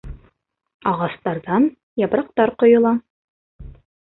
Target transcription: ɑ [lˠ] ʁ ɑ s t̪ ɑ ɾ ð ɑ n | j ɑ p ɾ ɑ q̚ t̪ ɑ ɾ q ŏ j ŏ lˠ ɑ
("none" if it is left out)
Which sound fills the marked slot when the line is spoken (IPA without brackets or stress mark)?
none